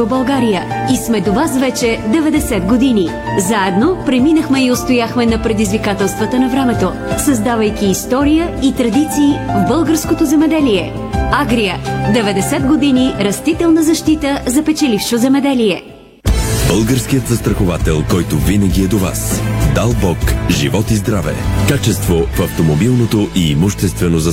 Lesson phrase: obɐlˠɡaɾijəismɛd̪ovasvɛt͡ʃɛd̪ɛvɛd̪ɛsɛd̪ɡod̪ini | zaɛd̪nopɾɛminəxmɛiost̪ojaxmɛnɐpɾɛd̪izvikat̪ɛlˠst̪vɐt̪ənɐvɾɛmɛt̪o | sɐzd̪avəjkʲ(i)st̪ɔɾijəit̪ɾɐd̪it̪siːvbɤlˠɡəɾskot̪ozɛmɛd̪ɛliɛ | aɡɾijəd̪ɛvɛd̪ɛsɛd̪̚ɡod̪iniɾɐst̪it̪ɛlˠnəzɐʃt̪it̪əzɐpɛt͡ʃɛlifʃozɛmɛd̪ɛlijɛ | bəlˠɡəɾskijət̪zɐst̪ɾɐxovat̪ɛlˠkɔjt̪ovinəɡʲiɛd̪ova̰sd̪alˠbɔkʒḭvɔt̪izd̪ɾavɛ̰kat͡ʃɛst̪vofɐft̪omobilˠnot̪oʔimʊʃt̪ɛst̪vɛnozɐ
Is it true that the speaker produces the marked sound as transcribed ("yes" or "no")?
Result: no